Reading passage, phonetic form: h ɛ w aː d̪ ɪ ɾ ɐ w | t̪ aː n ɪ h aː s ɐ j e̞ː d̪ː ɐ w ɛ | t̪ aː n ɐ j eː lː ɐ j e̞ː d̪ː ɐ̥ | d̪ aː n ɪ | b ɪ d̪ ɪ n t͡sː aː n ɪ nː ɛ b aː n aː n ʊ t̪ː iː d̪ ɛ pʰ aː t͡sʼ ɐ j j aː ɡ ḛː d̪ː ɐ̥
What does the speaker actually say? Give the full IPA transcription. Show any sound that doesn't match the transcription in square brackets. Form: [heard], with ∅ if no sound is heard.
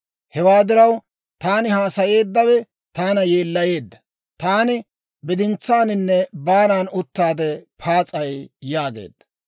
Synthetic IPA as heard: h ɛ w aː d̪ ɪ ɾ ɐ w | t̪ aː n ɪ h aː s ɐ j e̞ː d̪ː ɐ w ɛ | t̪ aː n ɐ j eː lː ɐ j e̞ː d̪ː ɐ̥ | [t̪] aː n ɪ | b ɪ d̪ ɪ n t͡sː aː n ɪ nː ɛ b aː n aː n ʊ t̪ː [aː] d̪ ɛ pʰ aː t͡sʼ ɐ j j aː ɡ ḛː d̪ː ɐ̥